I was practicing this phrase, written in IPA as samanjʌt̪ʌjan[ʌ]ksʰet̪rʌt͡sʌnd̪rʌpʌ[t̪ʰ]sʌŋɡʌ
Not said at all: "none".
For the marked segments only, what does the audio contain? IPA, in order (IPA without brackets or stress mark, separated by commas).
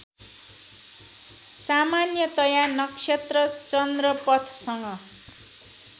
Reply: ʌ, t̪ʰ